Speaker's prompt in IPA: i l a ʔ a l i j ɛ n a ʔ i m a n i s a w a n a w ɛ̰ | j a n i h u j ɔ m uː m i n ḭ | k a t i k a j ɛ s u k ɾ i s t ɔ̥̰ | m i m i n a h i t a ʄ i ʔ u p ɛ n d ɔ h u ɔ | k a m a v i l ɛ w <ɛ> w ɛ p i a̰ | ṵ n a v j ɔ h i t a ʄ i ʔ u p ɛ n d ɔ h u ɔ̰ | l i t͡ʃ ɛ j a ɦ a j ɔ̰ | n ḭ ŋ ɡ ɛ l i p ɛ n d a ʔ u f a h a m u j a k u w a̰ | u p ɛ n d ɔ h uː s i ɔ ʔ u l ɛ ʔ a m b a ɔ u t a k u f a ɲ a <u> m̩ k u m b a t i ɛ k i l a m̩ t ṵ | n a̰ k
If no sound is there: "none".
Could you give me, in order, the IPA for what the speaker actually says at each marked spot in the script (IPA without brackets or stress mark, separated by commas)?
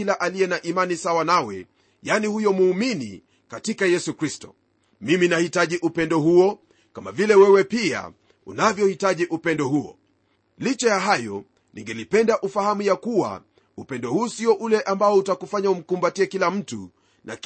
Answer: ɛ, u